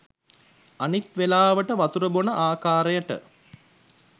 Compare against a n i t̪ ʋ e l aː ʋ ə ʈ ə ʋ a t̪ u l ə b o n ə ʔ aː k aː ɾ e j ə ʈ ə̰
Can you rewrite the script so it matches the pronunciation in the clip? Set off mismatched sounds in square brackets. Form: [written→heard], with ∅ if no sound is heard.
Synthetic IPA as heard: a n i t̪ ʋ e l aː ʋ ə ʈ ə ʋ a t̪ u [l→ɾ] ə b o n ə ʔ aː k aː ɾ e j ə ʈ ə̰

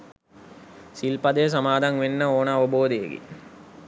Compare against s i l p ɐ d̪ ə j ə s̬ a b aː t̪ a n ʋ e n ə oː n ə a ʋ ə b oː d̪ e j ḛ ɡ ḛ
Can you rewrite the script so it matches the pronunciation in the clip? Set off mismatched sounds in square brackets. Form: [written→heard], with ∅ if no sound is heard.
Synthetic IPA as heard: s i l p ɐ d̪ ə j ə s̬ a [b→m] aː [t̪→d̪] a [n→ŋ] ʋ e [n→nː] ə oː n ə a ʋ ə b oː d̪ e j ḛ ɡ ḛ

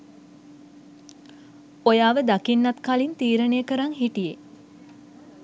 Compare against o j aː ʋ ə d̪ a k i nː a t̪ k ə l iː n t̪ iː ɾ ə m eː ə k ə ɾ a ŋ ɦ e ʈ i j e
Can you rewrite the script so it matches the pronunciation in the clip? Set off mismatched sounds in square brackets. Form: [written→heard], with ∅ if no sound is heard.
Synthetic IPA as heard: o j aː ʋ ə d̪ a k i nː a t̪ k [ə→a] l [iː→i] n t̪ iː ɾ ə [m→n] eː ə k ə ɾ a ŋ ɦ [e→i] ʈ i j e

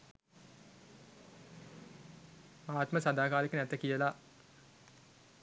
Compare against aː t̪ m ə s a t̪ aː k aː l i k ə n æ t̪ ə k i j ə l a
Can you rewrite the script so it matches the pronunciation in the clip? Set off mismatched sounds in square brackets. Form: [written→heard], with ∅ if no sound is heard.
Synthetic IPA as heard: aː t̪ m ə s a [t̪→d̪] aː k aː l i k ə n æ t̪ ə k i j ə l a

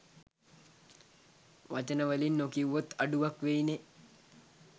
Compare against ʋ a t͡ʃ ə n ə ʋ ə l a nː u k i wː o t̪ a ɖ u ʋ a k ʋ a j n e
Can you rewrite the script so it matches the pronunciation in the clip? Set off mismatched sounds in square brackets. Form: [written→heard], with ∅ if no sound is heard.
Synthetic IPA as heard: ʋ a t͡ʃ ə n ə ʋ ə l [a→i] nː [u→o] k i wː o t̪ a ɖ u ʋ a k ʋ [a→e] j n e

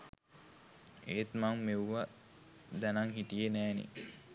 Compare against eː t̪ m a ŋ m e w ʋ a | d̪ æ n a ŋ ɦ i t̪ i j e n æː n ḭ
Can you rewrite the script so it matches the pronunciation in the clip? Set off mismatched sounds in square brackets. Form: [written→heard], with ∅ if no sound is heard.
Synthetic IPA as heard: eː t̪ m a ŋ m e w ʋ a | d̪ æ n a ŋ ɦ i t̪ i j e n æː n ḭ

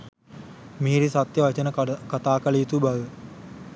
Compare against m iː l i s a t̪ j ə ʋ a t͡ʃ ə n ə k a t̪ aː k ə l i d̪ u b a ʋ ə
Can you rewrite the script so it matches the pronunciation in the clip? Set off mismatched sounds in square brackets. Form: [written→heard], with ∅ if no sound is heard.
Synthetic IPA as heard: m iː [l→ɾ] i s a t̪ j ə ʋ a t͡ʃ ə n ə k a t̪ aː k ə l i [d̪→t̪] u b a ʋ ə

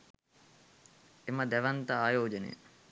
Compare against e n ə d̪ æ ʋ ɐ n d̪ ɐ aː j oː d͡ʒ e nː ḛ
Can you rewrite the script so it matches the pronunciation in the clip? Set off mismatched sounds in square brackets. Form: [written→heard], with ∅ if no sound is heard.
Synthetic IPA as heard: e [n→m] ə d̪ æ ʋ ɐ n [d̪→t̪] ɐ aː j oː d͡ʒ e [nː→n] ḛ

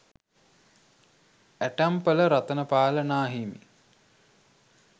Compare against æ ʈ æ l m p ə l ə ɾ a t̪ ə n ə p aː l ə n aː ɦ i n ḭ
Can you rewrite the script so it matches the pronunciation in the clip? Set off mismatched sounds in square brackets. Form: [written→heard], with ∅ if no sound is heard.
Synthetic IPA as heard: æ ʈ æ [l→∅] m p ə l ə ɾ a t̪ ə n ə p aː l ə n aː ɦ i [n→m] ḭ

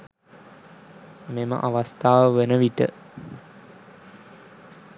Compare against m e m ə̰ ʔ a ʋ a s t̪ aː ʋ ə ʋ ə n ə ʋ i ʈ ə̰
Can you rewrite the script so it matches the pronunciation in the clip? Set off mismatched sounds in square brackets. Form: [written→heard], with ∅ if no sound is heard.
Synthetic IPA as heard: m e m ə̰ ʔ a ʋ a s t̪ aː ʋ ə ʋ ə n ə ʋ i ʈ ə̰

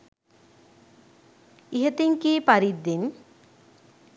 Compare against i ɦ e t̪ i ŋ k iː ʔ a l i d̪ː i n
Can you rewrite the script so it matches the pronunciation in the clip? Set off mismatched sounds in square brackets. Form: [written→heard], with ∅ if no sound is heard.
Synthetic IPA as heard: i ɦ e t̪ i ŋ k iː [ʔ→p] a [l→ɾ] i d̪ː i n

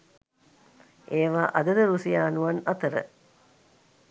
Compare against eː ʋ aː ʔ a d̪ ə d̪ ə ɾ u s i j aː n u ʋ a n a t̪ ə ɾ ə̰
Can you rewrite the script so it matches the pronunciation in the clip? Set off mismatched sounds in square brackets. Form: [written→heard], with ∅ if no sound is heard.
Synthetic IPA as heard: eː ʋ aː ʔ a d̪ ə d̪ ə ɾ u s i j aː n u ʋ a n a t̪ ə ɾ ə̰

